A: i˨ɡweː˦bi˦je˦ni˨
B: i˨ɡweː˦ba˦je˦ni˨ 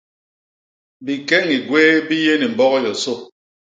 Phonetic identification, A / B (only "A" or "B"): A